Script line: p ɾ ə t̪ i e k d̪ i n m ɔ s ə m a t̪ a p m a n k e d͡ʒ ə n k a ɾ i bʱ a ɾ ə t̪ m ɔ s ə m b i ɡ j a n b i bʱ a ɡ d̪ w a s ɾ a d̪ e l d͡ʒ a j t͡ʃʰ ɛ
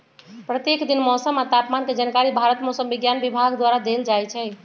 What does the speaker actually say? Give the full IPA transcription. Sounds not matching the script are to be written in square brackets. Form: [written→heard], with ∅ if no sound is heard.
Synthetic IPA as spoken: p ɾ ə t̪ [i→j] e k d̪ i n m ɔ s ə m a t̪ a p m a n k e d͡ʒ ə n k a ɾ i bʱ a ɾ ə t̪ m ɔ s ə m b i ɡ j a n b i bʱ a ɡ d̪ w a [s→∅] ɾ a d̪ e l d͡ʒ a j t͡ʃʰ ɛ